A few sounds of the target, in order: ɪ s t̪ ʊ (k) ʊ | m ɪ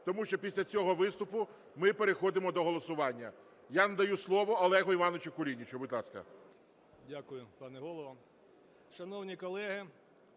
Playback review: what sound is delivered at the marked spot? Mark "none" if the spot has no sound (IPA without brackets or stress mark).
p